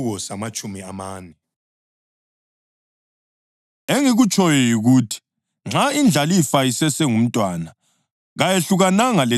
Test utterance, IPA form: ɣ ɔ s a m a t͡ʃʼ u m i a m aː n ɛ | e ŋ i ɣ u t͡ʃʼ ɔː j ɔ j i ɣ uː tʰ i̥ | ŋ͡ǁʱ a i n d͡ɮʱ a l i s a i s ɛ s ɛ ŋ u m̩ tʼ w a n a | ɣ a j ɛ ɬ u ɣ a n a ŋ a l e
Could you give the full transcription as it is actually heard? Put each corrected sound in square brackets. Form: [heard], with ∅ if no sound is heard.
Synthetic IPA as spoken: ɣ ɔ s a m a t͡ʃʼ u m i a m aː n ɛ | e ŋ i ɣ u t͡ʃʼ [ɔ] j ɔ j i ɣ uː tʰ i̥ | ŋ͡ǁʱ a i n d͡ɮʱ a l i [f] a i s ɛ s ɛ ŋ u m̩ tʼ w a n a | ɣ a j [e] ɬ u ɣ a n a ŋ a l e

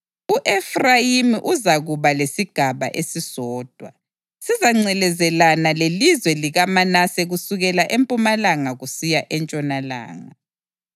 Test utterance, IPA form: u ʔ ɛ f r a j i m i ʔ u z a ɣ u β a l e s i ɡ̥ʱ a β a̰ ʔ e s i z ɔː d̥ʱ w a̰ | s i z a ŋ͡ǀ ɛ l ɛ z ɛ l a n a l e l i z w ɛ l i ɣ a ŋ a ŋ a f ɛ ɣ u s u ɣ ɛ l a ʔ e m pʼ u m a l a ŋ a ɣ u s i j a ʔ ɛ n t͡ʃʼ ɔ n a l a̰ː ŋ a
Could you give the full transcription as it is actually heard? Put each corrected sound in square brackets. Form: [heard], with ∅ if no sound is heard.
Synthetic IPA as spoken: u ʔ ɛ f r a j i m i ʔ u z a ɣ u β a l e s i ɡ̥ʱ a β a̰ ʔ e s i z ɔː d̥ʱ w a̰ | s i z a ŋ͡ǀ ɛ l ɛ z ɛ l a n a l e l i z w ɛ l i ɣ a [m] a [n] a [s] ɛ ɣ u s u ɣ ɛ l a ʔ e m pʼ u m a l a ŋ a ɣ u s i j a ʔ ɛ n t͡ʃʼ ɔ n a l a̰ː ŋ a

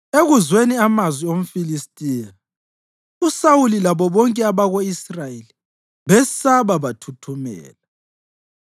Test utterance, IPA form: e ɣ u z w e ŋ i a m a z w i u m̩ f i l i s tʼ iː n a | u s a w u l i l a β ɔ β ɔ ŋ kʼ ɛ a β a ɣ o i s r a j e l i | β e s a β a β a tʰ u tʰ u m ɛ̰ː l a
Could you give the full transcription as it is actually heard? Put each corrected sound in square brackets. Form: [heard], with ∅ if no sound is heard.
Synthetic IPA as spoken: e ɣ u z w e [n] i a m a z w i [o] m̩ f i l i s tʼ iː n a | u s a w u l i l a β ɔ β ɔ ŋ kʼ ɛ a β a ɣ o i s r a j e l i | β [ɛ] s a β a β a tʰ u tʰ u m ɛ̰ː l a

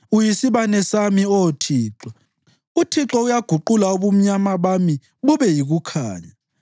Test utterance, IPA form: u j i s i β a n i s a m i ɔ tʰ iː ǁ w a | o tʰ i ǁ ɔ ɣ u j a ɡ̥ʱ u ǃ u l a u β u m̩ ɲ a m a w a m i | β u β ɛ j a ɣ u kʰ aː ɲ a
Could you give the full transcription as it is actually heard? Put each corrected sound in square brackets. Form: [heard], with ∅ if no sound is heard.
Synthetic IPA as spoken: u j i s i β a n [ɛ] s a m i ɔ tʰ iː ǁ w a | [u] tʰ i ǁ ɔ [∅] u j a ɡ̥ʱ u ǃ u l a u β u m̩ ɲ a m a [β] a m i | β u β ɛ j [i] ɣ u kʰ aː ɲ a

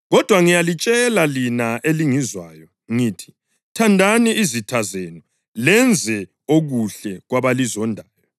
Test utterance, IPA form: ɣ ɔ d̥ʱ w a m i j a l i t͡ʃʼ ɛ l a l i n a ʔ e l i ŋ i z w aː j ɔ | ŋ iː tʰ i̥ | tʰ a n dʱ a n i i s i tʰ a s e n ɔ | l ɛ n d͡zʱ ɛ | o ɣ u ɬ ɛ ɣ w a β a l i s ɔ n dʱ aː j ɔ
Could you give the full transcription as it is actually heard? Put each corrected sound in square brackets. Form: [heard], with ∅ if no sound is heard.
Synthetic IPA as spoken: ɣ ɔ d̥ʱ w a [ŋ] i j a l i t͡ʃʼ ɛ l a l i n a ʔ e l i ŋ i z w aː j ɔ | ŋ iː tʰ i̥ | tʰ a n dʱ a n i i [z] i tʰ a [z] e n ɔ | l ɛ n d͡zʱ ɛ | o ɣ u ɬ ɛ ɣ w a β a l i [z] ɔ n dʱ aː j ɔ

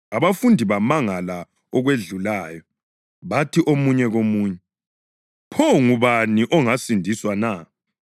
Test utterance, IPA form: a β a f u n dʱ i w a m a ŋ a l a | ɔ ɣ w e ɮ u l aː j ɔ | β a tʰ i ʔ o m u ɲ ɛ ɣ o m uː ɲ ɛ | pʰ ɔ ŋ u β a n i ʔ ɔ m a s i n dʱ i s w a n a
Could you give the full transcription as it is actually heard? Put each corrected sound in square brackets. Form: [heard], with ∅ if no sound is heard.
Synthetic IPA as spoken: a β a f u n dʱ i [β] a m a ŋ a l a | ɔ ɣ w e ɮ u l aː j ɔ | β a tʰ i ʔ o m u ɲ ɛ ɣ o m uː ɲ ɛ | pʰ ɔ ŋ u β a n i ʔ ɔ [ŋ] a s i n dʱ i s w a n a

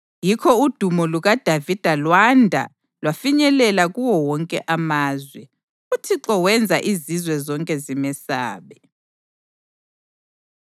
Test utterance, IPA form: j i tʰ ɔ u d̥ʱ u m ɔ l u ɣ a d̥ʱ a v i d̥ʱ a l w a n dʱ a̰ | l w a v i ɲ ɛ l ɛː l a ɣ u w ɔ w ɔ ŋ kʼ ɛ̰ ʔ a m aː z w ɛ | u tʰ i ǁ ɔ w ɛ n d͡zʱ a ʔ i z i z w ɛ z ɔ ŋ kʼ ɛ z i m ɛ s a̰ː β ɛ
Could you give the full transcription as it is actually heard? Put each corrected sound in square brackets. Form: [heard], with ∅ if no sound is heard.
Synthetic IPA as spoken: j i [kʰ] ɔ u d̥ʱ u m ɔ l u ɣ a d̥ʱ a v i d̥ʱ a l w a n dʱ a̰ | l w a [f] i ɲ ɛ l [ɛ] l a ɣ u w ɔ w ɔ ŋ kʼ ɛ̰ ʔ a m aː z w ɛ | u tʰ i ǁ ɔ w ɛ n d͡zʱ a ʔ i z i z w ɛ z ɔ ŋ kʼ ɛ z i m ɛ s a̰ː β ɛ

